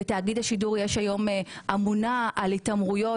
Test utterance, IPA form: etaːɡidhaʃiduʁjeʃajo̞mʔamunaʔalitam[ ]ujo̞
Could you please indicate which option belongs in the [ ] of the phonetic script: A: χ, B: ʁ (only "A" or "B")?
B